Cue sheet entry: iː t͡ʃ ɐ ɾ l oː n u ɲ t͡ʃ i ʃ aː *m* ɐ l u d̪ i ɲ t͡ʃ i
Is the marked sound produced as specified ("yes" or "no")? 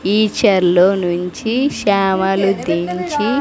yes